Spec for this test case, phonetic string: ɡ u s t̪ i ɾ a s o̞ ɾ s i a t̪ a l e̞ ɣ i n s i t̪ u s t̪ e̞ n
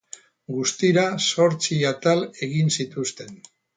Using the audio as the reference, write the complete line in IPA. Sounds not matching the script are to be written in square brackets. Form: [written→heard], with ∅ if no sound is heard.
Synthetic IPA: ɡ u s t̪ i ɾ a s o̞ ɾ [s→t͡s] i a t̪ a l e̞ ɣ i n s i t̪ u s t̪ e̞ n